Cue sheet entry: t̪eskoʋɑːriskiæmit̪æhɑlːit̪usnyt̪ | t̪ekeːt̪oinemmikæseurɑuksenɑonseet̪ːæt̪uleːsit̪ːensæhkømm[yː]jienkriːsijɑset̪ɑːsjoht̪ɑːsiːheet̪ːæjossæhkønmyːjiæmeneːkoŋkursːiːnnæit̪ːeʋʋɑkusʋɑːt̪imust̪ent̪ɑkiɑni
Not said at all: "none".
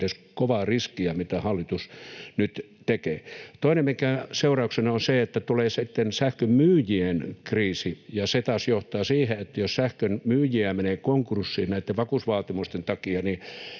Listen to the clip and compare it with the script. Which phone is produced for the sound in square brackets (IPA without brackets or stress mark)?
yː